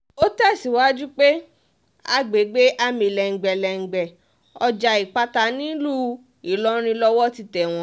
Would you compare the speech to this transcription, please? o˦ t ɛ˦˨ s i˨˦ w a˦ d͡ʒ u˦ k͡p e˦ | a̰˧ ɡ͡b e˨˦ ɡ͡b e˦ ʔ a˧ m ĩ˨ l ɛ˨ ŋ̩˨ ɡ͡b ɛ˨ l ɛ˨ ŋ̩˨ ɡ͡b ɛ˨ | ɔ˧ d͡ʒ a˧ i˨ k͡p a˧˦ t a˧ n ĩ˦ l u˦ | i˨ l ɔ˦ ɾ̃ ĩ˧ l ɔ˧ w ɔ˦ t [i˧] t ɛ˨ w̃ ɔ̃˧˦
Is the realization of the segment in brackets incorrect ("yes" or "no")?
no